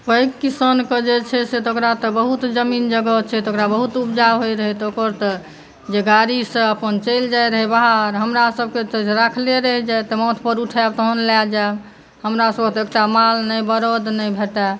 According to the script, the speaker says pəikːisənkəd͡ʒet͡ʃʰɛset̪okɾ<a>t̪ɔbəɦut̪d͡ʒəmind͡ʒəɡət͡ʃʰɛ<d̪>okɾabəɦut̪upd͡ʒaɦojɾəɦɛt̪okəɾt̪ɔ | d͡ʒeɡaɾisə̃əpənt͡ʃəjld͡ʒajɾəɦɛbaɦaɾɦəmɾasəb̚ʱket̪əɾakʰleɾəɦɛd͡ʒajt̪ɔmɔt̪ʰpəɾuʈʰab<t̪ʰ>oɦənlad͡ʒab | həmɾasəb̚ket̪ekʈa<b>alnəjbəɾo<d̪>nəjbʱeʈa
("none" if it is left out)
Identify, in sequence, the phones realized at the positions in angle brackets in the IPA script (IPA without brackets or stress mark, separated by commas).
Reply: a, t̪, t̪, m, d̪